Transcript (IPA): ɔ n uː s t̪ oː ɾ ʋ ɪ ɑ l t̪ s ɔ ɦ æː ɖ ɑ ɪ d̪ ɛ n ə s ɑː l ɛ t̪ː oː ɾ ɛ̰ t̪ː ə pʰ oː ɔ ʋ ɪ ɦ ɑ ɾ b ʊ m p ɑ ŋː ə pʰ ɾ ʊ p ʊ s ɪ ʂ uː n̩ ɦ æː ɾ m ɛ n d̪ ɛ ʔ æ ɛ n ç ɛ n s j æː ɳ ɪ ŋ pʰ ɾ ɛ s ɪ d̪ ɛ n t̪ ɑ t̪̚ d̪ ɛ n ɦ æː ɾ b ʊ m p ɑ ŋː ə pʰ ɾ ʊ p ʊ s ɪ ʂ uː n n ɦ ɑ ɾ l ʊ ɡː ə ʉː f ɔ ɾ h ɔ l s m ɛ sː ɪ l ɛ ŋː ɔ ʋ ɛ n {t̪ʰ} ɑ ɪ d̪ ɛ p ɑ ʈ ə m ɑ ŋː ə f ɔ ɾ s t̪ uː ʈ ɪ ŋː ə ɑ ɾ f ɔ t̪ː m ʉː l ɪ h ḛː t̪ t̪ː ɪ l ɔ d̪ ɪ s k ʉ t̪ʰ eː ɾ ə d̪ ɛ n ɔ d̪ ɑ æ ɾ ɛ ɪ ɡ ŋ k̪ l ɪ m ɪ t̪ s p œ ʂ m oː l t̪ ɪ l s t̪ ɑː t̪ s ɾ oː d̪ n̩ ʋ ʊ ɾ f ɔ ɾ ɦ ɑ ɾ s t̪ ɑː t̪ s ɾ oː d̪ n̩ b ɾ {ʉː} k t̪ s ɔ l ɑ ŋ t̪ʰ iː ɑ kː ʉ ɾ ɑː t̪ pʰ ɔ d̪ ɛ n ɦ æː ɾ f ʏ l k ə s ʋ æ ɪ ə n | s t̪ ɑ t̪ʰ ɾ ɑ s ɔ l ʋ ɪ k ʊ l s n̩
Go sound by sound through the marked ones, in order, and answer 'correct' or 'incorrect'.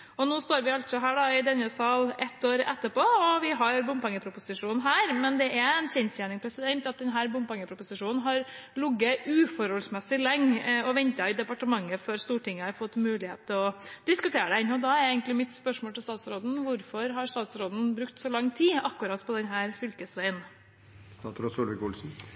incorrect, incorrect

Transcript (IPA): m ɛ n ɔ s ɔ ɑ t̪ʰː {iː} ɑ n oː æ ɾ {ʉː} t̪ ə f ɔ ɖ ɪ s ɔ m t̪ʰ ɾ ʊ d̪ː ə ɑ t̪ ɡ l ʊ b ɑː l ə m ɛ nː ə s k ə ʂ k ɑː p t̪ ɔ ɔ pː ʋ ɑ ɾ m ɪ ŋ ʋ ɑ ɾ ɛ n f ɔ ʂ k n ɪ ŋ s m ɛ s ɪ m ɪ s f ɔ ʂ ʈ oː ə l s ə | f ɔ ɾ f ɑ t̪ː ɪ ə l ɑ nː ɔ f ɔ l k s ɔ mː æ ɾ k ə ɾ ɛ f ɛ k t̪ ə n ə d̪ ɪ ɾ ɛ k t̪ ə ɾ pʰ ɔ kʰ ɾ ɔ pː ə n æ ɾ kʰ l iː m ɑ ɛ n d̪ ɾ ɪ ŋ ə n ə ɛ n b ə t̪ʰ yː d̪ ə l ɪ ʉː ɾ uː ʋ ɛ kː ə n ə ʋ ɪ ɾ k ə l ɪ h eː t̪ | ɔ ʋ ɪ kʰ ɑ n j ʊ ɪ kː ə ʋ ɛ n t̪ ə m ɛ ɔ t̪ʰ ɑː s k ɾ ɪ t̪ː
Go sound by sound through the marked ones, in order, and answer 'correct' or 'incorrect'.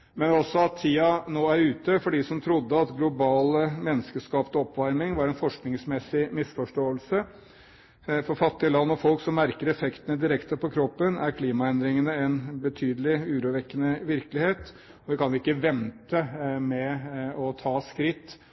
correct, correct

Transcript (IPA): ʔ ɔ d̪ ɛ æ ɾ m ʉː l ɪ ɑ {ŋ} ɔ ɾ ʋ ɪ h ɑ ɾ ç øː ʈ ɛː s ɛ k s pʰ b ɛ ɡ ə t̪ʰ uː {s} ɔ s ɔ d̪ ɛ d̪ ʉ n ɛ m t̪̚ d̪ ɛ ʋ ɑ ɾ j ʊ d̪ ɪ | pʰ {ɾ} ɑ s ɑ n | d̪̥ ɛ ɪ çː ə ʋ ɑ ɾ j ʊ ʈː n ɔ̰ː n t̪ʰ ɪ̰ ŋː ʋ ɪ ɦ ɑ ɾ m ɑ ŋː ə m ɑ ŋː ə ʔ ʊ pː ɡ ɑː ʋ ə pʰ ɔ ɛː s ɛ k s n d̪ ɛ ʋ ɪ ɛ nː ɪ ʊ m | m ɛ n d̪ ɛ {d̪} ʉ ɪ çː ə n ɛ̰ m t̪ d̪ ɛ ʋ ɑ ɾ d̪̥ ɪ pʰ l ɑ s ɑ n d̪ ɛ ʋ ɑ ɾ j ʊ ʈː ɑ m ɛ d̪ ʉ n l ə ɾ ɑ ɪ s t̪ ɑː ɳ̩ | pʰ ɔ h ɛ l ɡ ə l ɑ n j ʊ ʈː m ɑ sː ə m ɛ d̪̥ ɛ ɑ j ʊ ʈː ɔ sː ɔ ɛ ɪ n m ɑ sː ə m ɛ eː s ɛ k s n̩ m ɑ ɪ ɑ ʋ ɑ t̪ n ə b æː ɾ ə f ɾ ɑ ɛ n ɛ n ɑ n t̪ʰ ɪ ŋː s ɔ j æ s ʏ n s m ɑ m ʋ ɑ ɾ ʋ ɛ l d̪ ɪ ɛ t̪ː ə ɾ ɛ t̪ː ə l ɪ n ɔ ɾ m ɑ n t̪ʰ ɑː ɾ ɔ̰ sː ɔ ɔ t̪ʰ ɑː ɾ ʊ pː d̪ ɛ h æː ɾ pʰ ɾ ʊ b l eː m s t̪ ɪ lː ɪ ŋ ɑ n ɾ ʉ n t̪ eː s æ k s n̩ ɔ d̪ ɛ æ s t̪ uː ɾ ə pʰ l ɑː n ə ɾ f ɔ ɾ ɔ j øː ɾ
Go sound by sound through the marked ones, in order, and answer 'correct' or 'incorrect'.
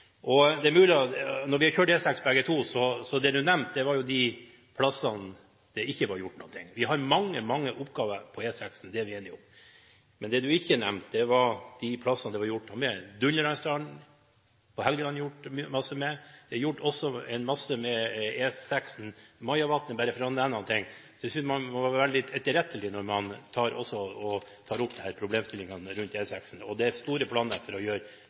incorrect, correct, incorrect, correct

